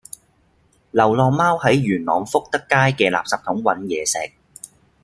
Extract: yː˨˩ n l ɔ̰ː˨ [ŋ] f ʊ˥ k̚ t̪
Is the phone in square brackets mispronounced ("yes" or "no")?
no